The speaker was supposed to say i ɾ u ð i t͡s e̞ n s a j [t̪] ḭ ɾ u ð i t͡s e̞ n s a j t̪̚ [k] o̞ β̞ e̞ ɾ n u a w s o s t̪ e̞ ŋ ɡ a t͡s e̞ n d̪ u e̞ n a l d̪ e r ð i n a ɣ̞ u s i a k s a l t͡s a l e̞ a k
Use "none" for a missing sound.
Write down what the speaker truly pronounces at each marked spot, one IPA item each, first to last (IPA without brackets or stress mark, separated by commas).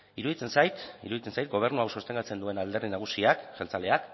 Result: t̪, ɡ